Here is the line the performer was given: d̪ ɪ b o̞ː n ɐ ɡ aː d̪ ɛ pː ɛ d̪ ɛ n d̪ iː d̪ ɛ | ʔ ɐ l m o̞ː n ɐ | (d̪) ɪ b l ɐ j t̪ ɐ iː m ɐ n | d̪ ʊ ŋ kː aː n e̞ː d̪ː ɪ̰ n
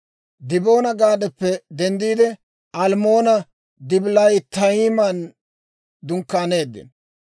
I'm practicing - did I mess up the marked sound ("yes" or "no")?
no